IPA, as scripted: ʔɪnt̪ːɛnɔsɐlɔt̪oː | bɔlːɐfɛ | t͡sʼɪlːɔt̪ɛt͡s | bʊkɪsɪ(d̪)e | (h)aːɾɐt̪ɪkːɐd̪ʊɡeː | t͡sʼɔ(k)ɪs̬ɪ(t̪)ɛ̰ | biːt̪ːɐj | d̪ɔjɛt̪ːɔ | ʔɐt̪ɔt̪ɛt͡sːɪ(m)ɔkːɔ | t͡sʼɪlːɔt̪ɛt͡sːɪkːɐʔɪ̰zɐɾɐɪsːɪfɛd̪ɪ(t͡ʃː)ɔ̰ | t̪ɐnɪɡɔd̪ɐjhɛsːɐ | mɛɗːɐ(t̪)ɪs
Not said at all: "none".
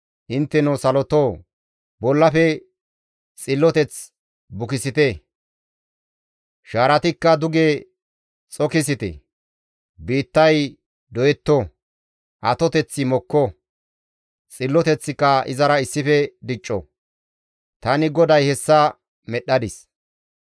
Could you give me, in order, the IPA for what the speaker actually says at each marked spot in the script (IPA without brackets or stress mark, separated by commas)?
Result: t̪, ʃ, k, t̪, m, t͡ʃʼː, d̪